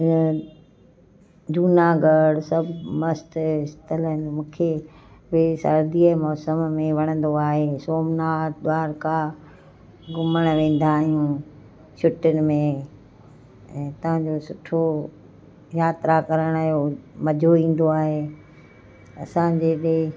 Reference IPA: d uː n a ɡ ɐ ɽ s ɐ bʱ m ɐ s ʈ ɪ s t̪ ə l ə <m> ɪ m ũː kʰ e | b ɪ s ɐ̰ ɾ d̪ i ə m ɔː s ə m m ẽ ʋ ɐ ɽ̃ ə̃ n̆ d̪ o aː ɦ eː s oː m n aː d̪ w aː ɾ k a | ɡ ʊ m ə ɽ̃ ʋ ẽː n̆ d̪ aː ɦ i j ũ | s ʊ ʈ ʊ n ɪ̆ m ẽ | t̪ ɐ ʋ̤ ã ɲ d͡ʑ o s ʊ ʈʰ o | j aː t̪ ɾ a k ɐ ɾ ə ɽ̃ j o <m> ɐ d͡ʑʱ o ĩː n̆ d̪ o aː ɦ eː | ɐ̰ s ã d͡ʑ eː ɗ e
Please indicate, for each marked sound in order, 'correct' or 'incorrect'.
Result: incorrect, correct

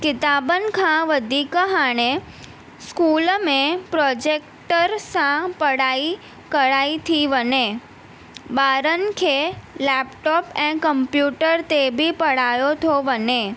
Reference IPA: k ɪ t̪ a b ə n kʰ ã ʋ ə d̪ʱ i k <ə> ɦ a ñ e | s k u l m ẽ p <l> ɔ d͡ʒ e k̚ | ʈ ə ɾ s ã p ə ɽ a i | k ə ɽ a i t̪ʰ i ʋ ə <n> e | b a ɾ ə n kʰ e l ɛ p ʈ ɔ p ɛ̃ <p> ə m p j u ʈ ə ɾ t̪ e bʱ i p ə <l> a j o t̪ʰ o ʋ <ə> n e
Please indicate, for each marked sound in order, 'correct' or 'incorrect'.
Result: correct, incorrect, correct, incorrect, incorrect, correct

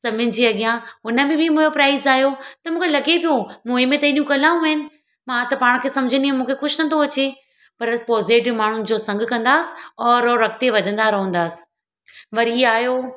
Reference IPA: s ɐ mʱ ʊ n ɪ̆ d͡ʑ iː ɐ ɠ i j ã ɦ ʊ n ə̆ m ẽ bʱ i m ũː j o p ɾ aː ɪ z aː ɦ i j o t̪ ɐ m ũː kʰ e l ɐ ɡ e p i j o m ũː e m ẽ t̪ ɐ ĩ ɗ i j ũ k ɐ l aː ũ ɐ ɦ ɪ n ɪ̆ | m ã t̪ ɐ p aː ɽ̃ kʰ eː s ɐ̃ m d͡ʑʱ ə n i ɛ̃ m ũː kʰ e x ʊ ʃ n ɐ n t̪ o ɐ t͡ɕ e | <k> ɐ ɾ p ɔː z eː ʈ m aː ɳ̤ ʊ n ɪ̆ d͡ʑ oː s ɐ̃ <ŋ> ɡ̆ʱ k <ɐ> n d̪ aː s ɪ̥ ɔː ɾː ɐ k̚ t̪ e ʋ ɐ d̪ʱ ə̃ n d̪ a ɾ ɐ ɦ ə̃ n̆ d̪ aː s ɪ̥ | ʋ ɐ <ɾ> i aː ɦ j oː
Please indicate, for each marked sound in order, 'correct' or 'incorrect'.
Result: incorrect, correct, incorrect, correct

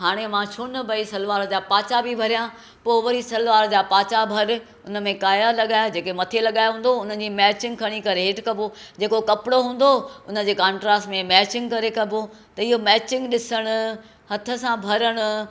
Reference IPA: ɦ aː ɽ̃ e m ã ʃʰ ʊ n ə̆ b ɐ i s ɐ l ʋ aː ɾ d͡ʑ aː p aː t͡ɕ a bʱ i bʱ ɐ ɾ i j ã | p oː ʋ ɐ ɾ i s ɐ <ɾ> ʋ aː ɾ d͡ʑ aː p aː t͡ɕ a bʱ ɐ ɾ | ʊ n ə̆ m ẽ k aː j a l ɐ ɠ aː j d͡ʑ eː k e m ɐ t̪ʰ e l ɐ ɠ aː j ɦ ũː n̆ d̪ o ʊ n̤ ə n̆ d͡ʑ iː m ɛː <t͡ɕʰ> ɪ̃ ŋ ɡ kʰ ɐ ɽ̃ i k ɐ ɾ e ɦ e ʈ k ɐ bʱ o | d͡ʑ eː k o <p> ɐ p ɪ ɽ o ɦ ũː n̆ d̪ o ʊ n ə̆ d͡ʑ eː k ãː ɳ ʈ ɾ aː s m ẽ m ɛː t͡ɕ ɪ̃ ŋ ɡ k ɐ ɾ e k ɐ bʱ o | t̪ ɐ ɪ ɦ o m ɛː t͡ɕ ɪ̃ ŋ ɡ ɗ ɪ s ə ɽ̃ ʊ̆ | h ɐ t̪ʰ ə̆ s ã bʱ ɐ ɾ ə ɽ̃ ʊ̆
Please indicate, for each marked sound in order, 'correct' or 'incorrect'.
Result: incorrect, incorrect, incorrect

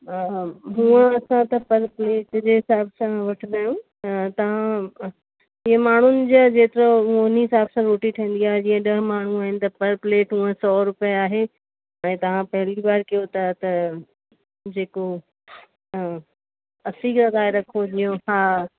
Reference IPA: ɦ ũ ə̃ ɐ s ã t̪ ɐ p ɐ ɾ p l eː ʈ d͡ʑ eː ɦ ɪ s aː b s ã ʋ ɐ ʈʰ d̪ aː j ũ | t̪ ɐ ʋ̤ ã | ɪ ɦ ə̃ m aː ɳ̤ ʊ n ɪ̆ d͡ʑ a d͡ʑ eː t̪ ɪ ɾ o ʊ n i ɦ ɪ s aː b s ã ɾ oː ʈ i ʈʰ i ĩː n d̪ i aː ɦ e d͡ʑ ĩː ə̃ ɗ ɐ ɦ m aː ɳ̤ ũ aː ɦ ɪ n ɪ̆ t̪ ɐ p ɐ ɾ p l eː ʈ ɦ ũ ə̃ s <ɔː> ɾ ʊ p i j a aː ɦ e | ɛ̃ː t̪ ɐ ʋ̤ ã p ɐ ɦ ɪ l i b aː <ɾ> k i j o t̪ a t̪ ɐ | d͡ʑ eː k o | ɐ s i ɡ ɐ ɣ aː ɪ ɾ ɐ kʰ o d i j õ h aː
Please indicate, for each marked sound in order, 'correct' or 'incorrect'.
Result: correct, correct

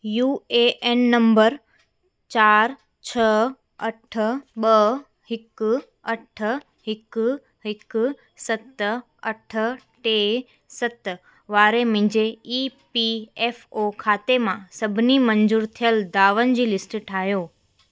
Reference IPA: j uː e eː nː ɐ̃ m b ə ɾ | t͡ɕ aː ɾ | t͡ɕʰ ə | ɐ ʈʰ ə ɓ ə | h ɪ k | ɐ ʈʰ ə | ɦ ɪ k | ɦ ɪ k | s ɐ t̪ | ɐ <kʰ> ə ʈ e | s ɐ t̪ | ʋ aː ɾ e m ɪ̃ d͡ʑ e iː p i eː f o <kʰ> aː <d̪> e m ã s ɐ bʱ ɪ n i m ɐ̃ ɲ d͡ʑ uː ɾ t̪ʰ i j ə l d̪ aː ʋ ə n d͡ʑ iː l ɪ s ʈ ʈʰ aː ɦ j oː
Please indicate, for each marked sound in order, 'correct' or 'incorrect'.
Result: incorrect, correct, incorrect

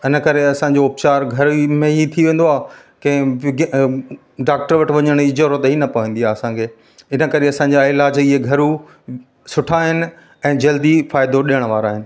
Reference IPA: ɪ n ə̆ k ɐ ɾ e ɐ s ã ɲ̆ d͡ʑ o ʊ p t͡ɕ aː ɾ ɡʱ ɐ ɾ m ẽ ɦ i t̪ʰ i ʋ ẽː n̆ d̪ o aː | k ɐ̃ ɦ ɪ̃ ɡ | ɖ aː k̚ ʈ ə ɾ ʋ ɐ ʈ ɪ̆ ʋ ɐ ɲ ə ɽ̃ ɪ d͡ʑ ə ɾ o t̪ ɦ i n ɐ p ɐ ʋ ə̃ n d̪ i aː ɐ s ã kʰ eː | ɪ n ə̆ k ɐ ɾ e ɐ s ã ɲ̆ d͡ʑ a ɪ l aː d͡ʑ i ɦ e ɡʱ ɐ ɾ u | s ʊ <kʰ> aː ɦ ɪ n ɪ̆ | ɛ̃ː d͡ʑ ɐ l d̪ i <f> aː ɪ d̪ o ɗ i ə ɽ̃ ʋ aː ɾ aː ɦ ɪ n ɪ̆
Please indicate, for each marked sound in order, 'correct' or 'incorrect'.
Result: incorrect, correct

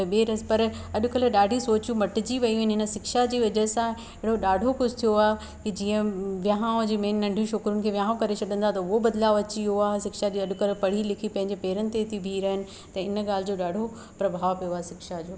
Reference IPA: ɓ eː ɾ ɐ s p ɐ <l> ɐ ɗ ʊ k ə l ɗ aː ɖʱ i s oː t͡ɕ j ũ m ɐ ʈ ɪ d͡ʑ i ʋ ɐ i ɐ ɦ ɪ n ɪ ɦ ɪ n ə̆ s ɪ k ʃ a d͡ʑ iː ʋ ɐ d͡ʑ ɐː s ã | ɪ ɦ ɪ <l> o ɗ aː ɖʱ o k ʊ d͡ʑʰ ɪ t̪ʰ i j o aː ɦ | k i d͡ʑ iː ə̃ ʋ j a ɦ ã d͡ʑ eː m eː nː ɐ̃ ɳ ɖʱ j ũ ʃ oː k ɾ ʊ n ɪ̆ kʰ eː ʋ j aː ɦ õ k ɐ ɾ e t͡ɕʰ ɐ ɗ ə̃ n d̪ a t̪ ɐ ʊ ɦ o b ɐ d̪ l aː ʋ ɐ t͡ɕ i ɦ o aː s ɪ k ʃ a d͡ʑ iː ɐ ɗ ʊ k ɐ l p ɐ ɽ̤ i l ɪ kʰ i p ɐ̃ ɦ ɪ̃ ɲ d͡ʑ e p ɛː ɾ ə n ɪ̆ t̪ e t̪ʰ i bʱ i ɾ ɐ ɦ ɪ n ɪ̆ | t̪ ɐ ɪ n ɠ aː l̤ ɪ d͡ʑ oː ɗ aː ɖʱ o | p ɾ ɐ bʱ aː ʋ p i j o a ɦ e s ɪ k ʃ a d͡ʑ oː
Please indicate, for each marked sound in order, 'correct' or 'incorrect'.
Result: incorrect, incorrect

